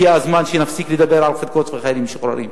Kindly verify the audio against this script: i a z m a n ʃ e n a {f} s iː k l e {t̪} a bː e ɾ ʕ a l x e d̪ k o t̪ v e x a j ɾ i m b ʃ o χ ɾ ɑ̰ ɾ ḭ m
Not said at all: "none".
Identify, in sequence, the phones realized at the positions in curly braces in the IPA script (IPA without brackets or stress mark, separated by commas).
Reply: f, d̪